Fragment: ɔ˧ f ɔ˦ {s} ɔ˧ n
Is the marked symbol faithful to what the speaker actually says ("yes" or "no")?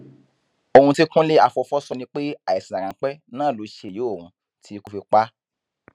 yes